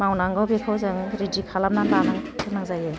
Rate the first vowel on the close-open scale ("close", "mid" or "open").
open